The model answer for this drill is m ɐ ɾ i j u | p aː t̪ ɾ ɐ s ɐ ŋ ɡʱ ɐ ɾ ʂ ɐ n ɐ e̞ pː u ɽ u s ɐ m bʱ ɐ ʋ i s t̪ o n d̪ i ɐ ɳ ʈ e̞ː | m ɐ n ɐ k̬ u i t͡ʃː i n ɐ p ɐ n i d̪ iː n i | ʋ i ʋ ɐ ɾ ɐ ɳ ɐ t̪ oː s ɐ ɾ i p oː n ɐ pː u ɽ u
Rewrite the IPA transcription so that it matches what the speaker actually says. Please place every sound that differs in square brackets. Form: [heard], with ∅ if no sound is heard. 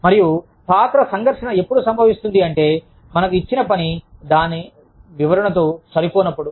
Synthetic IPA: m ɐ ɾ i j u | p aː t̪ ɾ ɐ s ɐ ŋ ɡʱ ɐ ɾ ʂ ɐ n ɐ e̞ pː u ɽ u s ɐ m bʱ ɐ ʋ i s t̪ [u] n d̪ i ɐ ɳ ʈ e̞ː | m ɐ n ɐ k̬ u i t͡ʃː i n ɐ p ɐ n i d̪ [aː] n i | ʋ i ʋ ɐ ɾ ɐ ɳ ɐ t̪ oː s ɐ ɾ i p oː n ɐ pː u ɽ u